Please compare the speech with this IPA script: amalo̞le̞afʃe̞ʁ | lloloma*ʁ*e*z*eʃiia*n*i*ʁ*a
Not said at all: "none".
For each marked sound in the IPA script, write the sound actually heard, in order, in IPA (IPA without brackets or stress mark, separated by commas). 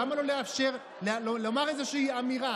ʁ, z, m, ʁ